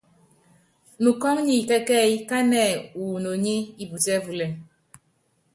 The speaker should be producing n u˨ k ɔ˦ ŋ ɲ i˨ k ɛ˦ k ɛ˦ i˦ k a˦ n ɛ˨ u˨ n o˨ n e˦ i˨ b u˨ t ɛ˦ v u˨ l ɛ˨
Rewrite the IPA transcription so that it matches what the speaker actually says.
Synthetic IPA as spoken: n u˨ k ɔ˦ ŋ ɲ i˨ k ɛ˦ k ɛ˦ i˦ k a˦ n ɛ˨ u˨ n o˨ ɲ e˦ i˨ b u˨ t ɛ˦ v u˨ l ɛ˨